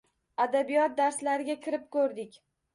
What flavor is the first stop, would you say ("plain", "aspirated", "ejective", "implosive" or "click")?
plain